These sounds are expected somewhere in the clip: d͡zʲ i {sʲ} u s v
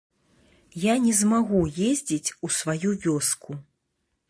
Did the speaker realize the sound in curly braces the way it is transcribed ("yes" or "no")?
no